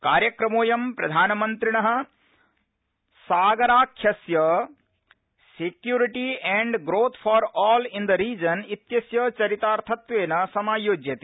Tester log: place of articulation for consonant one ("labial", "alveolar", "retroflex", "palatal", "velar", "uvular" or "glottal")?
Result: velar